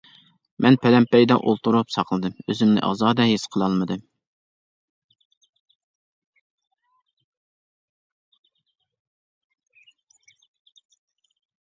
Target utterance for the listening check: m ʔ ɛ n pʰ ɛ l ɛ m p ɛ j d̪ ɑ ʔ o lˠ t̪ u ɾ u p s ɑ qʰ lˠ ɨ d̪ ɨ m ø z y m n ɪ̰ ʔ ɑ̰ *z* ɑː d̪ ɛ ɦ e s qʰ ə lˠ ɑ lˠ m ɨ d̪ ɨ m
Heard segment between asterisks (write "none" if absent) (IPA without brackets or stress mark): z